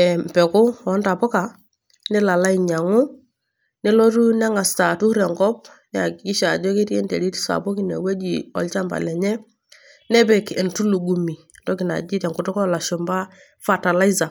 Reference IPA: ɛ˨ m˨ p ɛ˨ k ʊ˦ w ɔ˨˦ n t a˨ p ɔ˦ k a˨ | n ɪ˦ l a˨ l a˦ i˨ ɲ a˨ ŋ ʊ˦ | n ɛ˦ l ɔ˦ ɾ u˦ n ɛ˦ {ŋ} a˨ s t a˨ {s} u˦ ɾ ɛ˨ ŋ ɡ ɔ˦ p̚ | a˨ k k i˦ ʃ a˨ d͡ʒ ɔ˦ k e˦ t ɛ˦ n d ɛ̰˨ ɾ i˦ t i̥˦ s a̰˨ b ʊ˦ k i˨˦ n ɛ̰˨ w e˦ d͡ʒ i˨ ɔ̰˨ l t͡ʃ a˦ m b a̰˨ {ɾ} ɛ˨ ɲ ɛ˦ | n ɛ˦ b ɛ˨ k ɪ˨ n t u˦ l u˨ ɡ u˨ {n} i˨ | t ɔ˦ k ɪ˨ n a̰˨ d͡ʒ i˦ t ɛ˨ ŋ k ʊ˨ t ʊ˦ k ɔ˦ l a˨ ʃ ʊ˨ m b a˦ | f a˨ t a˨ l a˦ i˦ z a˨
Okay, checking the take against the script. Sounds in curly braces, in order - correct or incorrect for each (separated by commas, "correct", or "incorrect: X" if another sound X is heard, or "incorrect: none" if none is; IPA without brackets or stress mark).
correct, incorrect: t, incorrect: l, incorrect: m